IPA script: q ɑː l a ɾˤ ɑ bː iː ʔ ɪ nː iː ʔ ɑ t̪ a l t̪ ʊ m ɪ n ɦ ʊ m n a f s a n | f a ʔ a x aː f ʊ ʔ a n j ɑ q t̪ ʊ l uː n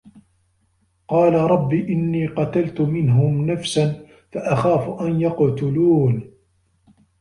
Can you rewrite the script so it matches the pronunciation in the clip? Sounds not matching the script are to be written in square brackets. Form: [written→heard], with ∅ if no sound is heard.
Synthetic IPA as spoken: q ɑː l a ɾˤ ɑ bː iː ʔ ɪ nː iː [ʔ→q] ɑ t̪ a l t̪ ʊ m ɪ n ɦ ʊ m n a f s a n | f a ʔ a x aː f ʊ ʔ a n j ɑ q t̪ ʊ l uː n